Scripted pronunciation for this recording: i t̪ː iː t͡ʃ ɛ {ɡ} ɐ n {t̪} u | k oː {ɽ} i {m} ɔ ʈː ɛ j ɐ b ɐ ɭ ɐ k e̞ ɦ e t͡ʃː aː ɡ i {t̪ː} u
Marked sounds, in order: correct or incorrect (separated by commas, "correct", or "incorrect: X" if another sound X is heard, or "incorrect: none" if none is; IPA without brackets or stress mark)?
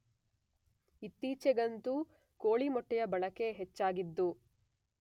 correct, correct, incorrect: ɭ, correct, incorrect: d̪ː